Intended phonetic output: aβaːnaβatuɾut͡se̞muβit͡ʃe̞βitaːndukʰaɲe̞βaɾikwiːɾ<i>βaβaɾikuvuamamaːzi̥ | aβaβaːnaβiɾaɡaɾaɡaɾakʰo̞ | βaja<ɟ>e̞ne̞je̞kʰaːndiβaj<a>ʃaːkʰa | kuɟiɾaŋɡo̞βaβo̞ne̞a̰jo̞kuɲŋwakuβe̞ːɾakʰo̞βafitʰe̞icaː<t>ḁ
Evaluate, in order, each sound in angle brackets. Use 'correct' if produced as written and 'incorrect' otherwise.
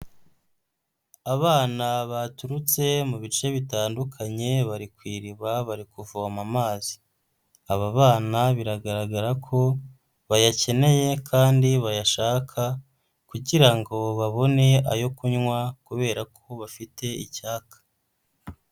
correct, incorrect: c, correct, incorrect: k

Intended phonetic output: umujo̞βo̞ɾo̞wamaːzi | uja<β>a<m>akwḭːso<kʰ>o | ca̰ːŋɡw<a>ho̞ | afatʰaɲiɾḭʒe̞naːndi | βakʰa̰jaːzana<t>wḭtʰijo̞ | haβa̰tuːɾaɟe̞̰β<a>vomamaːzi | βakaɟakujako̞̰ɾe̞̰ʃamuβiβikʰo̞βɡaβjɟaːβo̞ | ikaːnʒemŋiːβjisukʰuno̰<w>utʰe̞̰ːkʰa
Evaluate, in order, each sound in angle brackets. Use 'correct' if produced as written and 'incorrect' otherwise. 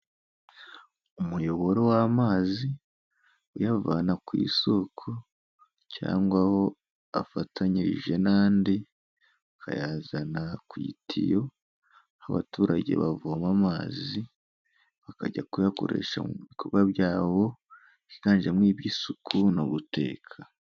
incorrect: v, incorrect: n, correct, correct, incorrect: k, correct, incorrect: β

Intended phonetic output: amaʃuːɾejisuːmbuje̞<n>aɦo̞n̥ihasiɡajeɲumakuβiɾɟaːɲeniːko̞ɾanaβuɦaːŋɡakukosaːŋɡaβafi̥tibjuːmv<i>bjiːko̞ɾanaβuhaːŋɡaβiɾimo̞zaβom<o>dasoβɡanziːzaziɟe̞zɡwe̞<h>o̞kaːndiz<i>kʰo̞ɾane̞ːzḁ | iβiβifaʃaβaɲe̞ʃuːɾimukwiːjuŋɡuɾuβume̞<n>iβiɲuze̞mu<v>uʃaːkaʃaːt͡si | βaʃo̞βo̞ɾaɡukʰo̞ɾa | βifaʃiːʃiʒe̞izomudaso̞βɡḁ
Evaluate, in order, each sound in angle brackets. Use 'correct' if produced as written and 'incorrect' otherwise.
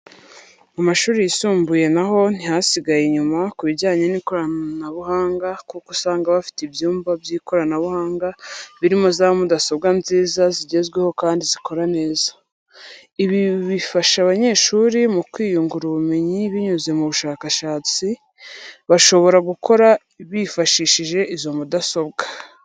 correct, incorrect: a, incorrect: u, correct, correct, incorrect: ɲ, incorrect: β

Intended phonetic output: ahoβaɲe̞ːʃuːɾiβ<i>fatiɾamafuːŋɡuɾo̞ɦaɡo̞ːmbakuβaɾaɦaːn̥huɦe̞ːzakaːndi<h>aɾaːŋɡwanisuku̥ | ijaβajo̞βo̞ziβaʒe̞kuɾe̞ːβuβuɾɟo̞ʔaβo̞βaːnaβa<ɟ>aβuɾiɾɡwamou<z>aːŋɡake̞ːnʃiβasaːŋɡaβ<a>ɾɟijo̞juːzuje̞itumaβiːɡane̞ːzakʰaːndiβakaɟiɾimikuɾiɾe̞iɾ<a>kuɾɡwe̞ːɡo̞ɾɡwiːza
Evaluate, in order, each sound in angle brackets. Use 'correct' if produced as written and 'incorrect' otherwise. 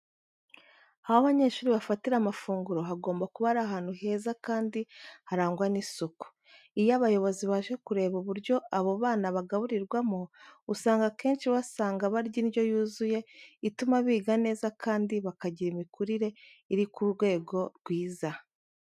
incorrect: a, correct, incorrect: ɡ, incorrect: s, correct, incorrect: i

